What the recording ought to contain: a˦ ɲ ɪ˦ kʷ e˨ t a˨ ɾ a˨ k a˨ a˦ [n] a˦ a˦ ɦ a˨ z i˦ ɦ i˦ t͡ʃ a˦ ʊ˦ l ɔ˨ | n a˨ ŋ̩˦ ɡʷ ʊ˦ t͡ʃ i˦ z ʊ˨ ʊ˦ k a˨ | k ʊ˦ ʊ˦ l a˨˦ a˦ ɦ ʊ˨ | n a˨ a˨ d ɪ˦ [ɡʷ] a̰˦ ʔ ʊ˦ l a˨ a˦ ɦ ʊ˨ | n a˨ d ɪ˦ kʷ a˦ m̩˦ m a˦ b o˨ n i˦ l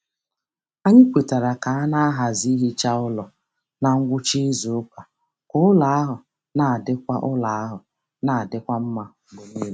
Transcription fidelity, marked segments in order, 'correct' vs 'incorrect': correct, incorrect: kʷ

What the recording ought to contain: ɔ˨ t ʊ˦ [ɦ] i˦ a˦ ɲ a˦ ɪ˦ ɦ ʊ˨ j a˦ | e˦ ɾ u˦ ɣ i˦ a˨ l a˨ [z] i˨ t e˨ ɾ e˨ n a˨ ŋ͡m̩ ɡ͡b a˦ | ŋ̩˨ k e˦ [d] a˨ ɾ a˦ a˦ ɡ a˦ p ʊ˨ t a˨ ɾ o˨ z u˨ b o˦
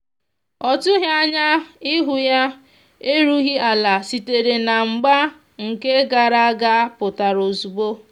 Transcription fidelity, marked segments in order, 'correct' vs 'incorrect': correct, incorrect: s, incorrect: ɡ

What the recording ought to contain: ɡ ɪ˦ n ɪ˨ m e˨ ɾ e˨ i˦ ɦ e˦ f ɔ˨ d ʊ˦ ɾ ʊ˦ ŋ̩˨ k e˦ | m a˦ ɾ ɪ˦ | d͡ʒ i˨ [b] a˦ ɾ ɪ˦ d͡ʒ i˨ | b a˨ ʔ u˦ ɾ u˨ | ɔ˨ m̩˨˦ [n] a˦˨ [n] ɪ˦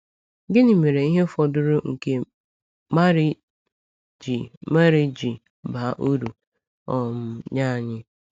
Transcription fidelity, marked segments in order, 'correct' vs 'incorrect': incorrect: m, incorrect: ɲ, incorrect: ɲ

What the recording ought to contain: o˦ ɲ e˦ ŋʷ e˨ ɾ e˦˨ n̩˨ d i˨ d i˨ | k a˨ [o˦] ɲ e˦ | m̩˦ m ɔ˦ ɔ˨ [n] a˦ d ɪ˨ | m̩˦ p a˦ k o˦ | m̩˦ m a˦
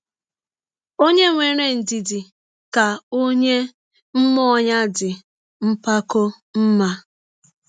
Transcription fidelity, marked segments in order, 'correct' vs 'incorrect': correct, incorrect: ɲ

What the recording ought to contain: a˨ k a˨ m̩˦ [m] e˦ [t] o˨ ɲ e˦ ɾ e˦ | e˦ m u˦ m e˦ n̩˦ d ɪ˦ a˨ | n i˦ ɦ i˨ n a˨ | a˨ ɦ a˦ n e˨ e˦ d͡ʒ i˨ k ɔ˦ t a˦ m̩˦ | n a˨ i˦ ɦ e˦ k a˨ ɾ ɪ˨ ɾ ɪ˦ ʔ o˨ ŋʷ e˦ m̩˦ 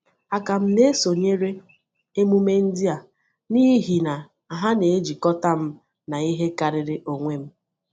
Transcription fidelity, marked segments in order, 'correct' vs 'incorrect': incorrect: n, incorrect: s

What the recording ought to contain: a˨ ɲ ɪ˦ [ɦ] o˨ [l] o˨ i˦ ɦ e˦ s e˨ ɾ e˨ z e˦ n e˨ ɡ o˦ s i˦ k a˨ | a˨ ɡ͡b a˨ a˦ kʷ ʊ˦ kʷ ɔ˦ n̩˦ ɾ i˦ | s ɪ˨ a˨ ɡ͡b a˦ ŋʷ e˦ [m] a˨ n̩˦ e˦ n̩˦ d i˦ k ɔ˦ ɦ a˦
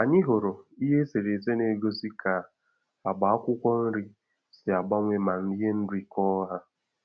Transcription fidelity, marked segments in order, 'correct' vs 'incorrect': correct, incorrect: ɾ, correct

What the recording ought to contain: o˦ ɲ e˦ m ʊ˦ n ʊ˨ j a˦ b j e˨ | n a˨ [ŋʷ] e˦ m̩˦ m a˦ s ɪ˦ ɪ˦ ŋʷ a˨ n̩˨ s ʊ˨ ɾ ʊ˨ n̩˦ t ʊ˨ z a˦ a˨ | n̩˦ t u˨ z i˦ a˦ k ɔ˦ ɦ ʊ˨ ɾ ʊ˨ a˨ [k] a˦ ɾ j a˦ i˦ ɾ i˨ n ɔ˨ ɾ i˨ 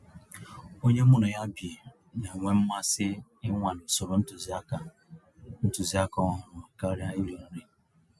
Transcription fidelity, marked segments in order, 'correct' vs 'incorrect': correct, correct

